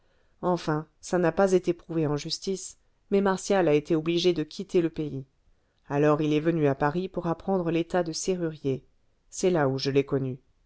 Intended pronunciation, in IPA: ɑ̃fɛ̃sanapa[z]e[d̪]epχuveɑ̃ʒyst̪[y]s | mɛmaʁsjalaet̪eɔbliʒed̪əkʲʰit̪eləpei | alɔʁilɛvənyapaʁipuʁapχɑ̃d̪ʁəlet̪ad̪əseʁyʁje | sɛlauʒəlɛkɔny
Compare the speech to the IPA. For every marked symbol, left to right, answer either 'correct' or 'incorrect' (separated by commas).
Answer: correct, incorrect, incorrect